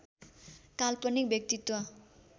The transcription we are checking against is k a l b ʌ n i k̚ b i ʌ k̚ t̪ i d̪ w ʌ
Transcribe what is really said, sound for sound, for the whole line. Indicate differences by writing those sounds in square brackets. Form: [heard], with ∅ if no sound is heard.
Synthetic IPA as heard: k a l [p] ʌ n i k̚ b [j] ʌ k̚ t̪ i [t̪] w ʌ

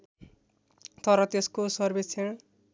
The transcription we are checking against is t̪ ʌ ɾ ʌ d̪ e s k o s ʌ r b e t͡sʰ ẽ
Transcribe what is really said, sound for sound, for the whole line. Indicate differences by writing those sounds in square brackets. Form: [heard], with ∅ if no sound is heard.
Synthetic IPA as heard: t̪ ʌ ɾ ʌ [t̪] e s k o s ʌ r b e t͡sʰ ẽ

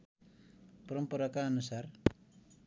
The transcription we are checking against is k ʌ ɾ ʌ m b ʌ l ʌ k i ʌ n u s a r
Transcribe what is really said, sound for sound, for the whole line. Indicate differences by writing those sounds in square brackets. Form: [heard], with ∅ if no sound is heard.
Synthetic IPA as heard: [p] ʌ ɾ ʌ m [p] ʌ [ɾ] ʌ k [a] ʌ n u s a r

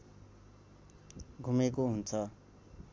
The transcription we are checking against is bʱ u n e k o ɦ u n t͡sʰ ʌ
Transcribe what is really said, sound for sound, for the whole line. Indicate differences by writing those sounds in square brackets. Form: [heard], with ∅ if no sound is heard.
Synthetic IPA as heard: [ɡʱ] u [m] e k o ɦ u n t͡sʰ ʌ

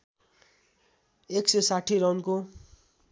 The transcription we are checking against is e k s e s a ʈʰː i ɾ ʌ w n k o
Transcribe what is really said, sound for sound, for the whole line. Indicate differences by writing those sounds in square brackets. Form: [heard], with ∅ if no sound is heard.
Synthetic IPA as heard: e k s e s a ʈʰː i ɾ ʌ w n k o

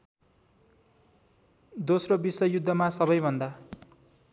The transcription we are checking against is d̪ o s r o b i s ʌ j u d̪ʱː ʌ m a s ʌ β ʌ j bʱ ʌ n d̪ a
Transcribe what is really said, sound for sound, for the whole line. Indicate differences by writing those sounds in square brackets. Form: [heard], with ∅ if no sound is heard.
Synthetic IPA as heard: d̪ o s r o b i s ʌ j u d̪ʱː ʌ m a s ʌ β ʌ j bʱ ʌ n d̪ a

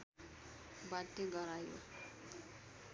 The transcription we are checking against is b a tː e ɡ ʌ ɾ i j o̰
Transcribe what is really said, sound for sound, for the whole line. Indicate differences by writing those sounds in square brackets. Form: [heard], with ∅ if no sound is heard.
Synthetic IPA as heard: b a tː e ɡ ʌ ɾ [a] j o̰

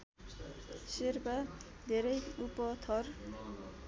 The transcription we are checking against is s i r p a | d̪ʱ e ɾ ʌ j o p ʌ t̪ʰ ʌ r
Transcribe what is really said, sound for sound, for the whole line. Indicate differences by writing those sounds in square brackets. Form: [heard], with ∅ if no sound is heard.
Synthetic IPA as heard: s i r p a | d̪ʱ e ɾ ʌ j [u] p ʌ t̪ʰ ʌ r

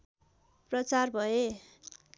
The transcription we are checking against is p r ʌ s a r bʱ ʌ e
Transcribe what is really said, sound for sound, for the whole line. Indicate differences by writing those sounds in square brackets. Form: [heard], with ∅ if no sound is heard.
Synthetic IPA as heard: p r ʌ [t͡s] a r bʱ ʌ e

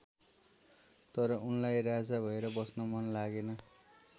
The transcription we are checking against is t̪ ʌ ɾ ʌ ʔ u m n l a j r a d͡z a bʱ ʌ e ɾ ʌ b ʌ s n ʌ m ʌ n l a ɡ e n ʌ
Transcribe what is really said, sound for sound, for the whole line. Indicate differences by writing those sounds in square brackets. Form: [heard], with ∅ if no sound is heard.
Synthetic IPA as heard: t̪ ʌ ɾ ʌ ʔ u [∅] n l a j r a d͡z a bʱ ʌ e ɾ ʌ b ʌ s n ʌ m ʌ n l a ɡ e n ʌ

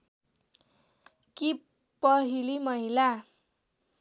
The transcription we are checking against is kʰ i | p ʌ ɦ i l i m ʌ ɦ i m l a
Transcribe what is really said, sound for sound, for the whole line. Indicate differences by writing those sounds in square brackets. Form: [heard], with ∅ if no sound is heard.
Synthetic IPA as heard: [k] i | p ʌ ɦ i l i m ʌ ɦ i [∅] l a

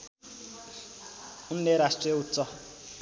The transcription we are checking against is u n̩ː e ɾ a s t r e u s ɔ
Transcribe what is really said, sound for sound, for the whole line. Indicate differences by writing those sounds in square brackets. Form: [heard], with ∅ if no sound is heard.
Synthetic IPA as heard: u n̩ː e ɾ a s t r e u [t͡s] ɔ

